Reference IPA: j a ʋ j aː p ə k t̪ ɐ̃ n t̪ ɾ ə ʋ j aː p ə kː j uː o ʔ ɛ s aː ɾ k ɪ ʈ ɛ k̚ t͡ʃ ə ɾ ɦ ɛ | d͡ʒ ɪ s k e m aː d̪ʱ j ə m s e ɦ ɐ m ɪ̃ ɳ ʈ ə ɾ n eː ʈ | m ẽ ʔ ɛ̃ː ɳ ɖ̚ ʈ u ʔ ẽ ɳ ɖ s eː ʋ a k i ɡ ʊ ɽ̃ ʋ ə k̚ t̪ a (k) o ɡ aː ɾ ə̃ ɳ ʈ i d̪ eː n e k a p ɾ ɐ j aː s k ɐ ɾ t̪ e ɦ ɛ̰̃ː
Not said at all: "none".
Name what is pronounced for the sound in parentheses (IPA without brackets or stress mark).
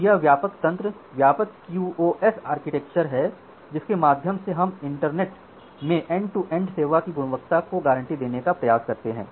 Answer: k